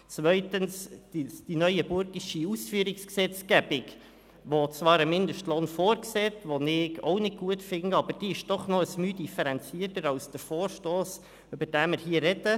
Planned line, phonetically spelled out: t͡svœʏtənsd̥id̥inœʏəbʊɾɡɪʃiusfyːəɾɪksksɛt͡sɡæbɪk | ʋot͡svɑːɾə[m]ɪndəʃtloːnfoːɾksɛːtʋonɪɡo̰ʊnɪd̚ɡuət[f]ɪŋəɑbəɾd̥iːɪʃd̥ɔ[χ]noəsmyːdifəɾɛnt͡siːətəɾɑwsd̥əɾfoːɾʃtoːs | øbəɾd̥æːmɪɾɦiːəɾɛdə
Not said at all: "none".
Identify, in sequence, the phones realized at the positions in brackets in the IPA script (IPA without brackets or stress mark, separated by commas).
m, f, χ